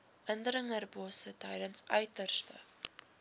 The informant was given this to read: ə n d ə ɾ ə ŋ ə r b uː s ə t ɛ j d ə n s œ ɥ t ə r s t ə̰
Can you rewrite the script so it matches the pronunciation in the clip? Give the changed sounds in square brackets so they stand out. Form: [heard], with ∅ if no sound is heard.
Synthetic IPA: ə n d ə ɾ ə ŋ ə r b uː s ə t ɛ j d ə n s œ ɥ t ə r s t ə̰